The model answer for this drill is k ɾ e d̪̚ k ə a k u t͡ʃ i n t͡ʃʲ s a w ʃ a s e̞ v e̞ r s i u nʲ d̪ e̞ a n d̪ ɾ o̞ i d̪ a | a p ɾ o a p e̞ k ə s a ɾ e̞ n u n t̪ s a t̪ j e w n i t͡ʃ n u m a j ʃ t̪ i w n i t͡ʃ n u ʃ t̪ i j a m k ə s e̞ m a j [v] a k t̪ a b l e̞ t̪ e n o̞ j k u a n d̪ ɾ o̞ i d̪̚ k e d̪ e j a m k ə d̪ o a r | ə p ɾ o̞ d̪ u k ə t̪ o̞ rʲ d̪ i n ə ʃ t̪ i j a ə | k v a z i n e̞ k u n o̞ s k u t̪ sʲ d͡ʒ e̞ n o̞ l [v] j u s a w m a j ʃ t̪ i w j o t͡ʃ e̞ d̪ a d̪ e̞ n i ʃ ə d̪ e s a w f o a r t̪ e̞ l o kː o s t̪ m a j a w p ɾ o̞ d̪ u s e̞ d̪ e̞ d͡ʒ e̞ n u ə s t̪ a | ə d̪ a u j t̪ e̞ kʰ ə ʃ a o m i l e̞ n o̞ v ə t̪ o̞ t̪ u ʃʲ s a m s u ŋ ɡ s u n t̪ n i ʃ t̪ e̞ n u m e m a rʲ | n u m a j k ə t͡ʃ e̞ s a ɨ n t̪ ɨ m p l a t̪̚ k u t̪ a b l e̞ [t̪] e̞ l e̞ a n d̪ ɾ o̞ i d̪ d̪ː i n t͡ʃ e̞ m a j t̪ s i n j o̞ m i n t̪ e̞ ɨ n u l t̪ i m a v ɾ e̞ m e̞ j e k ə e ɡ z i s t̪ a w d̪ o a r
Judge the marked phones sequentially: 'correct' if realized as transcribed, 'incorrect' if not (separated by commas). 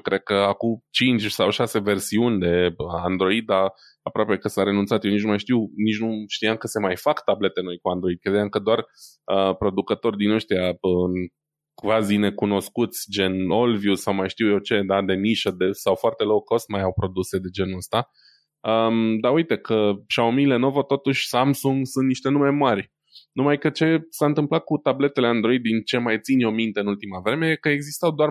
incorrect, correct, correct